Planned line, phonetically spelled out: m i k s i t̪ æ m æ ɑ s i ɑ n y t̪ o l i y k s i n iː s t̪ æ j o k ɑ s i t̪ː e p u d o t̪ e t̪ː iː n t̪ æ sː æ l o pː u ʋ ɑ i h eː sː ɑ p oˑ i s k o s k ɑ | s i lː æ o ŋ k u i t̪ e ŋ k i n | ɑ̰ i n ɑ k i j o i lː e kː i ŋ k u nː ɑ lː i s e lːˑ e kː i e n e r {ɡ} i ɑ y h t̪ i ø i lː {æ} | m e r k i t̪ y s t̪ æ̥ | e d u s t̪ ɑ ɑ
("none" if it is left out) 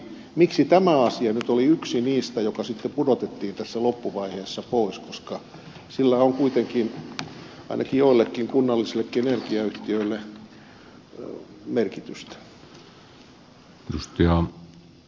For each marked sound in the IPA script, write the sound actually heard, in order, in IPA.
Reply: k, e

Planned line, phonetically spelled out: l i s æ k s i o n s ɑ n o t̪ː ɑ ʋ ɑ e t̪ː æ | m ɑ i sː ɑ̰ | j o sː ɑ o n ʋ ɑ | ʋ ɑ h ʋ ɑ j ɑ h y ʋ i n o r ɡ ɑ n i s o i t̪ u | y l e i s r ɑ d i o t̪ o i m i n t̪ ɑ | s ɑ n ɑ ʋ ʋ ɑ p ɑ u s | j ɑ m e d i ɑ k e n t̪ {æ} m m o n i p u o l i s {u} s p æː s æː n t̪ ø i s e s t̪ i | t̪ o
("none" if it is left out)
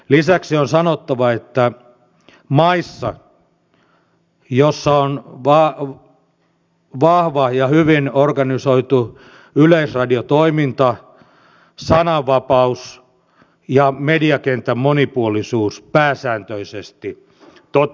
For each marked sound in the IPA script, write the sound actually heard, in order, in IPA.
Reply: æ, uː

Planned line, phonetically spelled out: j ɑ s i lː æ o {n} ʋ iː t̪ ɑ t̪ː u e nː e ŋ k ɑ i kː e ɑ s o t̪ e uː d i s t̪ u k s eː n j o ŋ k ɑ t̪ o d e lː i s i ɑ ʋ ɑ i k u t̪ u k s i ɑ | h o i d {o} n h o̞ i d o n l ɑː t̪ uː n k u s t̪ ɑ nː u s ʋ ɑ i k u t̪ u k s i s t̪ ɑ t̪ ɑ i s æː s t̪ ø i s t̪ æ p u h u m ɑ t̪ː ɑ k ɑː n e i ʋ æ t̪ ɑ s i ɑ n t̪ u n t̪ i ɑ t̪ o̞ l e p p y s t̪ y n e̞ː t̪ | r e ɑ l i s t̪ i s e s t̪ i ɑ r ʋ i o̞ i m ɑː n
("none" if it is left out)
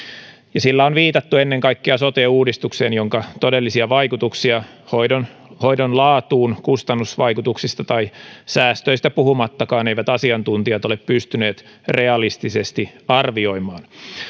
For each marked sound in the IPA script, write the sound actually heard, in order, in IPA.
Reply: n, o

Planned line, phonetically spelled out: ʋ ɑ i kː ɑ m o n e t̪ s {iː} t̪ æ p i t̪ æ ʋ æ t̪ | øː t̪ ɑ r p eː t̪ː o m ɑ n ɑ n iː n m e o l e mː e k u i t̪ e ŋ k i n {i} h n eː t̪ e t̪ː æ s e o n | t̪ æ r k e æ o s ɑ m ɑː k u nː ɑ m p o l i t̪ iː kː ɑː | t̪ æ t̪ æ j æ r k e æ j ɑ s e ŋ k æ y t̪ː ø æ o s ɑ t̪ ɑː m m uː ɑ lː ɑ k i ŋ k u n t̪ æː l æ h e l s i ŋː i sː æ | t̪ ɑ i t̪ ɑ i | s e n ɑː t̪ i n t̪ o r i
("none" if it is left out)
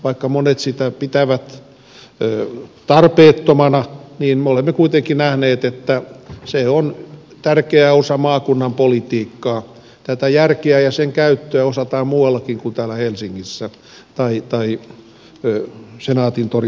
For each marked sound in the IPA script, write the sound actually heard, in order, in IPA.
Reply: i, æ

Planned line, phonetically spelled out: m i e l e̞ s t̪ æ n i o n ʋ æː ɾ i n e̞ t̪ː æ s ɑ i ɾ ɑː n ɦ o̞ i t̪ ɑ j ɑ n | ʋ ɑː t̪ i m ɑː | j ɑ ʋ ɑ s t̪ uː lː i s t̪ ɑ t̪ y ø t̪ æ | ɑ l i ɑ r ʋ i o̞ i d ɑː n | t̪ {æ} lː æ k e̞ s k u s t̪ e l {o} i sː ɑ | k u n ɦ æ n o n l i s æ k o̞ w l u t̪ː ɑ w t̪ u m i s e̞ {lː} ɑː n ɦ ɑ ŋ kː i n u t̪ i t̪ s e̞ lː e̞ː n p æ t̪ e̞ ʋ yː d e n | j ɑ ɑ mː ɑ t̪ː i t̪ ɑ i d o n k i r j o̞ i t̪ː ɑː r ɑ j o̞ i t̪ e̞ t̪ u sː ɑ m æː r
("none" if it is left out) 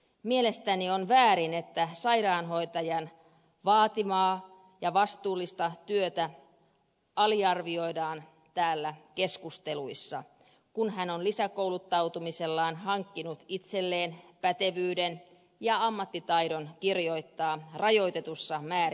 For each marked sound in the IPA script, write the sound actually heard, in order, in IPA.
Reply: æː, u, lː

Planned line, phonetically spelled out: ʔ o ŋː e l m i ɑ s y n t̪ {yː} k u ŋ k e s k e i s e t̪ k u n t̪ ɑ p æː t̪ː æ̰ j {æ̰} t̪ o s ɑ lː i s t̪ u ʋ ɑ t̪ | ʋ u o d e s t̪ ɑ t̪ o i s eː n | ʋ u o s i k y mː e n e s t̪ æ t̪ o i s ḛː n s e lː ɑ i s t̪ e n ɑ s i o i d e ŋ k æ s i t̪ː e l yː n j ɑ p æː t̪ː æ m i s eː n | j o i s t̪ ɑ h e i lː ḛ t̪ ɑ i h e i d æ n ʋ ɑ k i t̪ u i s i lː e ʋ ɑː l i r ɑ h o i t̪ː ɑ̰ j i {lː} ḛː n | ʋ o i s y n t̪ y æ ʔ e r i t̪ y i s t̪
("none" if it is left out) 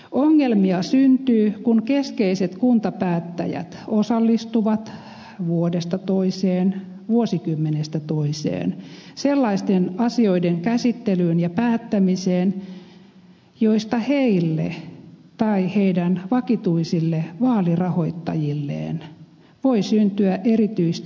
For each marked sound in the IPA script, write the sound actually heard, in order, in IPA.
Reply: yː, æ̰, lː

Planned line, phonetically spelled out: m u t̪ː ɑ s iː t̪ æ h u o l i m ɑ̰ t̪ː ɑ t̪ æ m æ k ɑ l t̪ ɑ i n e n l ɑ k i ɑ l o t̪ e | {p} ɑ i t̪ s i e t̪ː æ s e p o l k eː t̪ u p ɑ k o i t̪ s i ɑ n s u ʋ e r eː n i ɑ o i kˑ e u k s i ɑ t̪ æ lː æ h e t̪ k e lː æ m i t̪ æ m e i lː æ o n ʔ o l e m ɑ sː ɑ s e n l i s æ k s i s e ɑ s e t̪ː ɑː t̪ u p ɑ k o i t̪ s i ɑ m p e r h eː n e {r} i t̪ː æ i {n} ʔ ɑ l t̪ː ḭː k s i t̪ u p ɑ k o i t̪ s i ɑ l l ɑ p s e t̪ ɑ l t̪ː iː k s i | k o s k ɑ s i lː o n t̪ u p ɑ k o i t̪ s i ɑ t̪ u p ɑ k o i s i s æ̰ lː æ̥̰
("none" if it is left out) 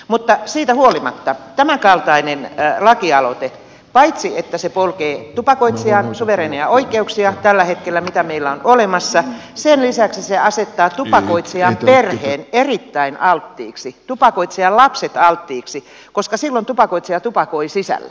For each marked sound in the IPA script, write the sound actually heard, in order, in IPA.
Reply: p, r, n

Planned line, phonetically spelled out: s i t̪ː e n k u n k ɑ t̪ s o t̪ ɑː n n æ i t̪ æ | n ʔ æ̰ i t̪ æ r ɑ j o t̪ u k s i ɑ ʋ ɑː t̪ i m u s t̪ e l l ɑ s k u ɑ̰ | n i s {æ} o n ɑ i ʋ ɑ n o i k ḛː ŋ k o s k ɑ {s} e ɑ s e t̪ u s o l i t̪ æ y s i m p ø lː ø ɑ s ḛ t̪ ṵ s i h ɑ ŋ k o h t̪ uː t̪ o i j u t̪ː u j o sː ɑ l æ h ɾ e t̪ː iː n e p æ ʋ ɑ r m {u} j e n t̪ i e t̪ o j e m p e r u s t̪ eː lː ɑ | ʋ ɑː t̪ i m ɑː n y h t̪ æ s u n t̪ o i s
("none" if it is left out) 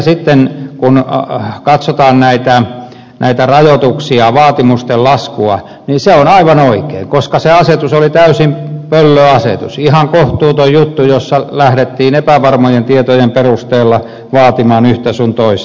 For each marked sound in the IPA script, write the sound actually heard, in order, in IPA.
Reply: e, s, o

